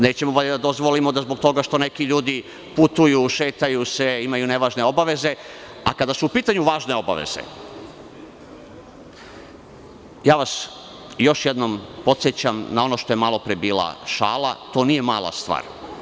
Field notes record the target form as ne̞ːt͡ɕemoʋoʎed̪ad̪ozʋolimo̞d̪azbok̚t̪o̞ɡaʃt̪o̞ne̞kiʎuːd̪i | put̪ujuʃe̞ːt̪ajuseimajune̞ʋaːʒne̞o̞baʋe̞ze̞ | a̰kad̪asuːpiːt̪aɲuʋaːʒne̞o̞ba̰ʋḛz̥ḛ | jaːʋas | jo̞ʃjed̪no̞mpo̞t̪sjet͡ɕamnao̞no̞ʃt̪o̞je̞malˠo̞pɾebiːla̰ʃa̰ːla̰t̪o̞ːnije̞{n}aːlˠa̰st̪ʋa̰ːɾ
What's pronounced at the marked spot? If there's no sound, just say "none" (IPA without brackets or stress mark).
m